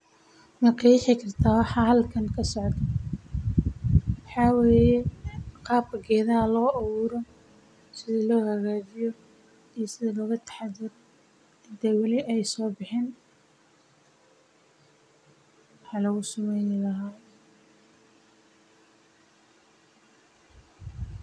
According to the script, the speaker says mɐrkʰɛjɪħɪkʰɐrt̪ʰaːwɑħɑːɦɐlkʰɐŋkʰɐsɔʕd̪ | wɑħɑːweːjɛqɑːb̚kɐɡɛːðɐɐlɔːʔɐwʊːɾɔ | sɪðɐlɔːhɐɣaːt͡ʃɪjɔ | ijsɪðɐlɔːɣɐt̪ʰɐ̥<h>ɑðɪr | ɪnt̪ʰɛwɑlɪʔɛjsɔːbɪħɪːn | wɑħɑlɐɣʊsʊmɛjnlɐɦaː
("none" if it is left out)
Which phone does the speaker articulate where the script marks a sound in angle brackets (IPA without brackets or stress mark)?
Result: ħ